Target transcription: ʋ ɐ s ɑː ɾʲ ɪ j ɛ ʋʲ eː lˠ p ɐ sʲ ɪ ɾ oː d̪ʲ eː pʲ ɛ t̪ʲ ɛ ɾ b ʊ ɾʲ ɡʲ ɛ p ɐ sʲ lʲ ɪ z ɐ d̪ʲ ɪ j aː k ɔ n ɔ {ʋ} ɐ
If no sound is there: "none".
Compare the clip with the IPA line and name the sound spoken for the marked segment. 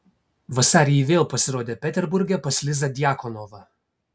ʋ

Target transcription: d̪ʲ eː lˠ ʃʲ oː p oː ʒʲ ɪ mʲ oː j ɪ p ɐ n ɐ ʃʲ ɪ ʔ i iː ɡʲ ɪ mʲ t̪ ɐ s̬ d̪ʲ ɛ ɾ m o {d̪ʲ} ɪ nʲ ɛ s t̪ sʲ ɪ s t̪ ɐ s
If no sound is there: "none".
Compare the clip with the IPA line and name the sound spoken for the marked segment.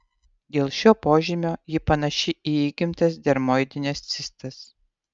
d̪ʲ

